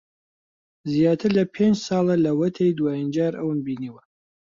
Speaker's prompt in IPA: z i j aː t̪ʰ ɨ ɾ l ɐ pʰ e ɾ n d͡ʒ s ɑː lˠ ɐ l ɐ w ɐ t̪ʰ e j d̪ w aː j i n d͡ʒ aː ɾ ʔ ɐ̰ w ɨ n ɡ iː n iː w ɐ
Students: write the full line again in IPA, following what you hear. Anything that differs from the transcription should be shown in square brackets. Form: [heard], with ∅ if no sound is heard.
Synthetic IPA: z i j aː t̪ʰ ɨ ɾ l ɐ pʰ e [∅] n d͡ʒ s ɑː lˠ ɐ l ɐ w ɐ t̪ʰ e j d̪ w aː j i n d͡ʒ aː ɾ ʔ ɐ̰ w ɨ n [b] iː n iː w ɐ